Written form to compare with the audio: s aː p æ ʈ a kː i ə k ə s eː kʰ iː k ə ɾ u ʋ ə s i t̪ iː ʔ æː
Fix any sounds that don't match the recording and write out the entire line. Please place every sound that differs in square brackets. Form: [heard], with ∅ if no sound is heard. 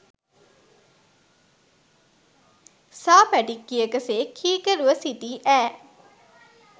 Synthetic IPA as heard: s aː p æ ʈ [i] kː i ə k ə s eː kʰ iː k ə ɾ u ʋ ə s i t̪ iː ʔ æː

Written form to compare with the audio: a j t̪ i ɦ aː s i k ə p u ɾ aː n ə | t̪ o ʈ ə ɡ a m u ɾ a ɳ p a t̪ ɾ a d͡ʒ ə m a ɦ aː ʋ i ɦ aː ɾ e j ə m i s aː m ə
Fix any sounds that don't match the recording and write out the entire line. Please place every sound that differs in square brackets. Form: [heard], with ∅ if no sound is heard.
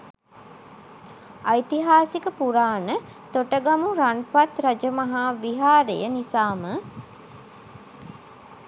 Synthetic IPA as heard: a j t̪ i ɦ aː s i k ə p u ɾ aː n ə | t̪ o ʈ ə ɡ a m u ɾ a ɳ p a t̪ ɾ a d͡ʒ ə m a ɦ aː ʋ i ɦ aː ɾ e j ə [n] i s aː m ə

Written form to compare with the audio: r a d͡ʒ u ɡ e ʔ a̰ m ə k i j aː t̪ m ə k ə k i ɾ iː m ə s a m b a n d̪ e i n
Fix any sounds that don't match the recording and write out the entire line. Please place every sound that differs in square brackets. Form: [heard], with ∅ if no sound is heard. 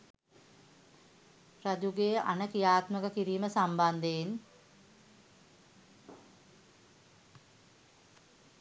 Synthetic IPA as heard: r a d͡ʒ u ɡ e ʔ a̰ [n] ə k i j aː t̪ m ə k ə k i ɾ iː m ə s a m b a n d̪ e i n

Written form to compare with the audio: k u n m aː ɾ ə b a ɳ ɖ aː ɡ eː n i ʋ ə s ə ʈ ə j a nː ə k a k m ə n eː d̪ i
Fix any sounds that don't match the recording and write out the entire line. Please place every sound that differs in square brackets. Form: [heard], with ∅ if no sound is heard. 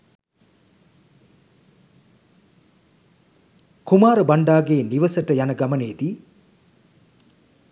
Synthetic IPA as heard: k u [∅] m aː ɾ ə b a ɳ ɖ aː ɡ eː n i ʋ ə s ə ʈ ə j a [n] ə [ɡ] a [∅] m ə n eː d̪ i

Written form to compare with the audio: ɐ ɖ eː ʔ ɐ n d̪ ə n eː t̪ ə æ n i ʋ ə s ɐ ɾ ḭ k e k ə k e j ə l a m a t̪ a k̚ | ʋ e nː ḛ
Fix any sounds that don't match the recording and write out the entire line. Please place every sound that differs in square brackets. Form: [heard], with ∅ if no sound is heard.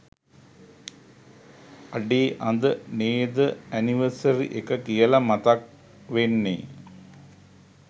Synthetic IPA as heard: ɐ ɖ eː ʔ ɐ n d̪ ə n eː [d̪] ə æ n i ʋ ə s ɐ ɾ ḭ [ʔ] e k ə k [i] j ə l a m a t̪ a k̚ | ʋ e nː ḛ

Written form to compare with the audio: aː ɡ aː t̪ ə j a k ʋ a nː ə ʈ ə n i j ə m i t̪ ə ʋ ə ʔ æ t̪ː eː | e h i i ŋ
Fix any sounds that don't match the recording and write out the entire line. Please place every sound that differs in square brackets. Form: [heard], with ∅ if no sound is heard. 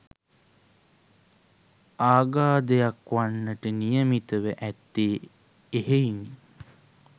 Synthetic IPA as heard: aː ɡ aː [d̪] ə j a k ʋ a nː ə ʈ ə n i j ə m i t̪ ə ʋ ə ʔ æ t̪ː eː | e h [e] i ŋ

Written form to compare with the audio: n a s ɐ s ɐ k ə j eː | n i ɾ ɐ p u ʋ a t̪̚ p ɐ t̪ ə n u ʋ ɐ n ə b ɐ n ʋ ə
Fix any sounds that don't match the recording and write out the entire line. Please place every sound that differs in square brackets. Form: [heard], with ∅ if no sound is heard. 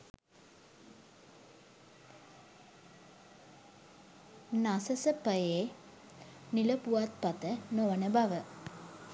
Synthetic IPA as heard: n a s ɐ s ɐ [p] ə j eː | n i [l] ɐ p u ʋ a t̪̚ p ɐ t̪ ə n [o] ʋ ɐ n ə b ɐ [∅] ʋ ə

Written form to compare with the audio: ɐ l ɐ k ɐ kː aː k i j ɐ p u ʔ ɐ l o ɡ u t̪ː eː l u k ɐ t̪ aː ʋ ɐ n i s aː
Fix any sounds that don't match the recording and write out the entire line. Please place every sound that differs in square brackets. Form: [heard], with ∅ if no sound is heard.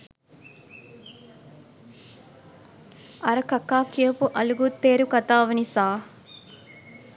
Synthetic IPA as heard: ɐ [ɾ] ɐ k ɐ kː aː k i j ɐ p u ʔ ɐ l [u] ɡ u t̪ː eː [ɾ] u k ɐ t̪ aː ʋ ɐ n i s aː

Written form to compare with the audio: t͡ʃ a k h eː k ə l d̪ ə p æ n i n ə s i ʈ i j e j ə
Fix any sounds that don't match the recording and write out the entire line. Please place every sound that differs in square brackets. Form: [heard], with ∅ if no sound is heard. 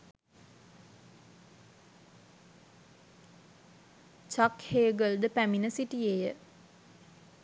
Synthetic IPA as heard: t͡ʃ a k h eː [ɡ] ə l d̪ ə p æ [m] i n ə s i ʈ i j e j ə

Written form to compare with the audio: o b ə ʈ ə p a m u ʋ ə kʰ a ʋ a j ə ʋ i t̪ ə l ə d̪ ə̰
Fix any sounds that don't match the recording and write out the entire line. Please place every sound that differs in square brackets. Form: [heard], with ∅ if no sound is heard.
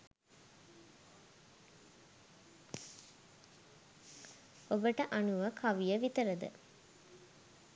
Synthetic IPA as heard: o b ə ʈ ə [ʔ] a [n] u ʋ ə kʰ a ʋ [i] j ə ʋ i t̪ ə [ɾ] ə d̪ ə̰

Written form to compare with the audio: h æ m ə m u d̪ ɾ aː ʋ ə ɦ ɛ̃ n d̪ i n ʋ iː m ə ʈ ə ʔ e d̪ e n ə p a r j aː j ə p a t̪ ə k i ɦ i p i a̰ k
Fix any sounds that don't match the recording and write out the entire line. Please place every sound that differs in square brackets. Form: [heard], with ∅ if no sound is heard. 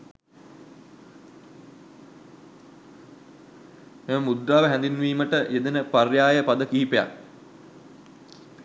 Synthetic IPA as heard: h [e] m ə m u d̪ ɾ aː ʋ ə ɦ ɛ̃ n d̪ i n ʋ iː m ə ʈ ə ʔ e d̪ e n ə p a r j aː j ə p a [d̪] ə k i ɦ i p [e] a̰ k

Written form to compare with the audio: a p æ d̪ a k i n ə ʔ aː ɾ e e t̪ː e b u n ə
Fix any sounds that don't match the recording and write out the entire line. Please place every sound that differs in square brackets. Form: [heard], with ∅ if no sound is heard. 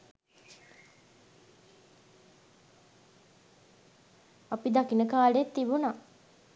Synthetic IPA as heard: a p [i] d̪ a k i n ə [k] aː [l] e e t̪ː [i] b u n [a]

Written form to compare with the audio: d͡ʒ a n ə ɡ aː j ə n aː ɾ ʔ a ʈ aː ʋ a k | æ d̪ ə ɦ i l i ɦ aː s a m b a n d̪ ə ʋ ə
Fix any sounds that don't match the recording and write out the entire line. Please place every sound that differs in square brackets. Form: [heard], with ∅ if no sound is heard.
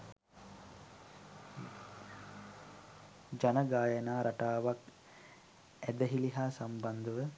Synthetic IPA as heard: d͡ʒ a n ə ɡ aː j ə n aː ɾ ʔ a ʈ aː ʋ a k | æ d̪ ə ɦ i l i ɦ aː s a m b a n d̪ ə ʋ ə

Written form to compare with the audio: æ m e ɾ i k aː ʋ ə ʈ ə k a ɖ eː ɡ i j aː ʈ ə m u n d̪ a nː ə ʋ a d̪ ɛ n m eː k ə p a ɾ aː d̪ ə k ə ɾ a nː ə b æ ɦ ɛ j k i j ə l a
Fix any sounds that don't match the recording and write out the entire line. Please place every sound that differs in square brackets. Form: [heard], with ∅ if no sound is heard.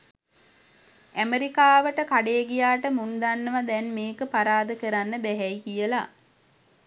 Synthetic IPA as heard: æ m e ɾ i k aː ʋ ə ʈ ə k a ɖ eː ɡ i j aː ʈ ə m u n d̪ a nː ə ʋ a d̪ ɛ n m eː k ə p a ɾ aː d̪ ə k ə ɾ a nː ə b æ ɦ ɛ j k i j ə l a

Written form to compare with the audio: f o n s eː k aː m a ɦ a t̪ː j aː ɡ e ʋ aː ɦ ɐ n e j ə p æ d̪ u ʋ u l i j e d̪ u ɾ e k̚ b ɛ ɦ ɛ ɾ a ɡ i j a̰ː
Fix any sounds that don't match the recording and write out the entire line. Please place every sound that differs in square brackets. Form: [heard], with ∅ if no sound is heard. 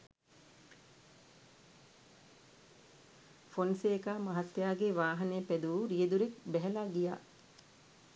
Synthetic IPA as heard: f o n s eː k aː m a ɦ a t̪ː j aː ɡ e ʋ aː ɦ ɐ n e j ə p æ d̪ u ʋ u [ɾ] i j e d̪ u ɾ e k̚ b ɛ ɦ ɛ [l] a ɡ i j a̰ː

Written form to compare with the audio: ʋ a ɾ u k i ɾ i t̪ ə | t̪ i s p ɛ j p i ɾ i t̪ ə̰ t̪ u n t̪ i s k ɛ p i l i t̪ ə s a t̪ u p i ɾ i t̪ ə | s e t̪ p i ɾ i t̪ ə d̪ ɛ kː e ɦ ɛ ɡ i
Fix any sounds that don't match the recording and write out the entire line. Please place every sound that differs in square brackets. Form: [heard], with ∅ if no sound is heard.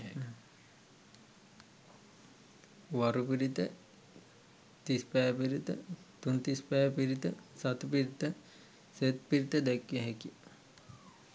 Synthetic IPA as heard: ʋ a ɾ u [p] i ɾ i t̪ ə | t̪ i s p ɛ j p i ɾ i t̪ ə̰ t̪ u n t̪ i s [p] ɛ p i [ɾ] i t̪ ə s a t̪ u p i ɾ i t̪ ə | s e t̪ p i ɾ i t̪ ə d̪ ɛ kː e ɦ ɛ [k] i

